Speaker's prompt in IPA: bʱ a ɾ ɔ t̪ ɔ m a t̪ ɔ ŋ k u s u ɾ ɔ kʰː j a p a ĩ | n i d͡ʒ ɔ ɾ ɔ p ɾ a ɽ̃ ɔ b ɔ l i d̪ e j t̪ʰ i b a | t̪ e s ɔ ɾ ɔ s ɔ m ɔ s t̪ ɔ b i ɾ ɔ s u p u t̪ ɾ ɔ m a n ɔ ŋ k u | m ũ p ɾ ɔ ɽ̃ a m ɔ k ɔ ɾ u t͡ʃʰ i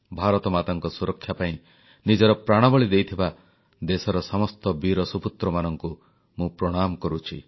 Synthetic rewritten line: bʱ a ɾ ɔ t̪ ɔ m a t̪ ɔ ŋ k ɔ s u ɾ ɔ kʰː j a p a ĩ | n i d͡ʒ ɔ ɾ ɔ p ɾ a ɽ̃ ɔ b ɔ ɭ i d̪ e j t̪ʰ i b a | d̪ e s ɔ ɾ ɔ s ɔ m ɔ s t̪ ɔ b i ɾ ɔ s u p u t̪ ɾ ɔ m a n ɔ ŋ k u | m ũ p ɾ ɔ ɽ̃ a m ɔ k ɔ ɾ u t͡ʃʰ i

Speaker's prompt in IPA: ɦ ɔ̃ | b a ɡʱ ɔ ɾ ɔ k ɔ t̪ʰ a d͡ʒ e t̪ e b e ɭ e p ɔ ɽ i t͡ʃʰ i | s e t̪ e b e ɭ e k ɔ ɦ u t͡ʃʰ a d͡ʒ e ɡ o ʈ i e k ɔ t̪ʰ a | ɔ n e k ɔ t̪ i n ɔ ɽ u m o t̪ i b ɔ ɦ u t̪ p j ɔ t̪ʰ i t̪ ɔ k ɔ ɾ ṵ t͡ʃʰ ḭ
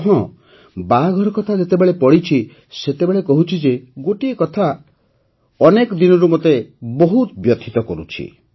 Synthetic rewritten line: ɦ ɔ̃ | b a ɡʱ ɔ ɾ ɔ k ɔ t̪ʰ a d͡ʒ e t̪ e b e ɭ e p ɔ ɽ i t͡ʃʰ i | s e t̪ e b e ɭ e k ɔ ɦ u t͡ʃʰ i d͡ʒ e ɡ o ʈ i e k ɔ t̪ʰ a | ɔ n e k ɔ d̪ i n ɔ ɾ u m o t̪ e b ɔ ɦ u t̪ b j ɔ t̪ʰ i t̪ ɔ k ɔ ɾ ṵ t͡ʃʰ ḭ

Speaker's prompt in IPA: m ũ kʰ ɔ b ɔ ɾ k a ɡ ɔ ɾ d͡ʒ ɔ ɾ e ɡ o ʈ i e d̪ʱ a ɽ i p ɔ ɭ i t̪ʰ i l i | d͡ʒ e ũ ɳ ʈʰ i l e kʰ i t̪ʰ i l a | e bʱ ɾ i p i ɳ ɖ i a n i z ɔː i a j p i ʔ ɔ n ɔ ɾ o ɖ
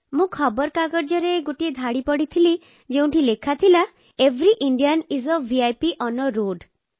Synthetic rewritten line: m ũ kʰ ɔ b ɔ ɾ k a ɡ ɔ ɾ d͡ʒ ɔ ɾ e ɡ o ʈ i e d̪ʱ a ɽ i p ɔ ɽ i t̪ʰ i l i | d͡ʒ e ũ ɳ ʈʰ i l e kʰ a t̪ʰ i l a | e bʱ ɾ i ʔ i ɳ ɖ i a n i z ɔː i a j p i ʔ ɔ n ɔ ɾ o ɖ

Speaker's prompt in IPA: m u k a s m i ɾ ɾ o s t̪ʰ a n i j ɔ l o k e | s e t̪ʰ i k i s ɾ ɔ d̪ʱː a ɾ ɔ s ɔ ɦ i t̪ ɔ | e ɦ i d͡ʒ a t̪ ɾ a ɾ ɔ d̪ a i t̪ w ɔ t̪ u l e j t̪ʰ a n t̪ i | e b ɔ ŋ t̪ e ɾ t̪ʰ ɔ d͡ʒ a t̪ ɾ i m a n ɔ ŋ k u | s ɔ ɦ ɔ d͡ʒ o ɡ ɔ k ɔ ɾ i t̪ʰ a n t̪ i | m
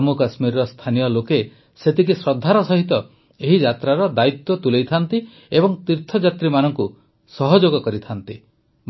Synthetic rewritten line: m u k a s m i ɾ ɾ ɔ s t̪ʰ a n i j ɔ l o k e | s e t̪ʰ i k i s ɾ ɔ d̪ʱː a ɾ ɔ s ɔ ɦ i t̪ ɔ | e ɦ i d͡ʒ a t̪ ɾ a ɾ ɔ d̪ a i t̪ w ɔ t̪ u l e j t̪ʰ a n t̪ i | e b ɔ ŋ t̪ i ɾ t̪ʰ ɔ d͡ʒ a t̪ ɾ i m a n ɔ ŋ k u | s ɔ ɦ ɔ d͡ʒ o ɡ ɔ k ɔ ɾ i t̪ʰ a n t̪ i | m

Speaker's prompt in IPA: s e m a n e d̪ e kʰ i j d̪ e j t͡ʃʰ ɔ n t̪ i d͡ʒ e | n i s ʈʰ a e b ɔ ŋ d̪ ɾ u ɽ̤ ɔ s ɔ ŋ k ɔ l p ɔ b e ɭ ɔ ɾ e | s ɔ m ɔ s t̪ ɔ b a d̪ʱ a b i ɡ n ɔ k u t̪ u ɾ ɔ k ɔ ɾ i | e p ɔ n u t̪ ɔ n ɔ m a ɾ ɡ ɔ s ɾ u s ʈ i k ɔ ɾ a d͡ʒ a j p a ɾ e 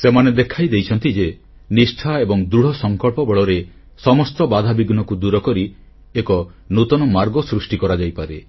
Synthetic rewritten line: s e m a n e d̪ e kʰ a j d̪ e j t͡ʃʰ ɔ n t̪ i d͡ʒ e | n i s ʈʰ a e b ɔ ŋ d̪ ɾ u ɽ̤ ɔ s ɔ ŋ k ɔ ɭ p ɔ b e ɭ ɔ ɾ e | s ɔ m ɔ s t̪ ɔ b a d̪ʱ a b i ɡ n ɔ k u d̪ u ɾ ɔ k ɔ ɾ i | e k ɔ n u t̪ ɔ n ɔ m a ɾ ɡ ɔ s ɾ u s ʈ i k ɔ ɾ a d͡ʒ a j p a ɾ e

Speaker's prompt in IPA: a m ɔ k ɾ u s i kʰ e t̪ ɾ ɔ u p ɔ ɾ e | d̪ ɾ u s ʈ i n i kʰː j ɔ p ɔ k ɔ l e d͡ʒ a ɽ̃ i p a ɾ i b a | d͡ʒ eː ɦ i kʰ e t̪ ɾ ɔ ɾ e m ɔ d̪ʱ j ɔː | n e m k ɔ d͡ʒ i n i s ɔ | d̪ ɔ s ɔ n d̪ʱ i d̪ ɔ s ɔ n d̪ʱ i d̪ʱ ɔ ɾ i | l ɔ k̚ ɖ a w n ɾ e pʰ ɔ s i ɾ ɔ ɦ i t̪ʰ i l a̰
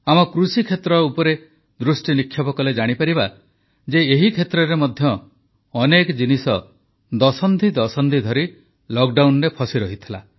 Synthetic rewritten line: a m ɔ k ɾ u s i kʰ e t̪ ɾ ɔ u p ɔ ɾ e | d̪ ɾ u s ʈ i n i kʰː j ɔ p ɔ k ɔ l e d͡ʒ a ɽ̃ i p a ɾ i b a | d͡ʒ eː ɦ i kʰ e t̪ ɾ ɔ ɾ e m ɔ d̪ʱ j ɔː | n e k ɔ d͡ʒ i n i s ɔ | d̪ ɔ s ɔ n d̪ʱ i d̪ ɔ s ɔ n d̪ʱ i d̪ʱ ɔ ɾ i | l ɔ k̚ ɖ a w n ɾ e pʰ ɔ s i ɾ ɔ ɦ i t̪ʰ i l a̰

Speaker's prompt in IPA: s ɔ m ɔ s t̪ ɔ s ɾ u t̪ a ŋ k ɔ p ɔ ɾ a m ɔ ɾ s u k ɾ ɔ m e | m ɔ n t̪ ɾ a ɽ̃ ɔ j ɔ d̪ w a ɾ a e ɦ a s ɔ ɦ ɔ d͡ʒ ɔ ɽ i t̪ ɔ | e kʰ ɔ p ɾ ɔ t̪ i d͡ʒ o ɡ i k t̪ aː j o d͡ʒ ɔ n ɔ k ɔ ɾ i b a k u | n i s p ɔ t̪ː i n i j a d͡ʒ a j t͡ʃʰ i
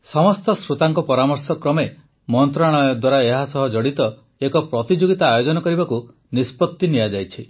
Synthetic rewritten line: s ɔ m ɔ s t̪ ɔ s ɾ u t̪ a ŋ k ɔ p ɔ ɾ a m ɔ ɾ s ɔ k ɾ ɔ m e | m ɔ n t̪ ɾ a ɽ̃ ɔ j ɔ d̪ w a ɾ a e ɦ a s ɔ ɦ ɔ d͡ʒ ɔ ɽ i t̪ ɔ | e k ɔ p ɾ ɔ t̪ i d͡ʒ o ɡ i t̪ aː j o d͡ʒ ɔ n ɔ k ɔ ɾ i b a k u | n i s p ɔ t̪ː i n i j a d͡ʒ a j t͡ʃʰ i

